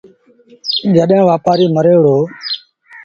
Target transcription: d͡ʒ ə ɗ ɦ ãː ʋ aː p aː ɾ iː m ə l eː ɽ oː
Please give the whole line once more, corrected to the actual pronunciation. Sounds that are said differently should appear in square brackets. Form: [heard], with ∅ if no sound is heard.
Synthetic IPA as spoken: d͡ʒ ə ɗ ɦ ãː ʋ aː p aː ɾ iː m ə [ɾ] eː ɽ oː